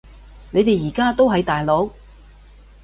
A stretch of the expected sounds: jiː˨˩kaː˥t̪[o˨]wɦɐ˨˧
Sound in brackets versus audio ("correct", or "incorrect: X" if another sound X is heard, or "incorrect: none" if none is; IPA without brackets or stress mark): incorrect: o˥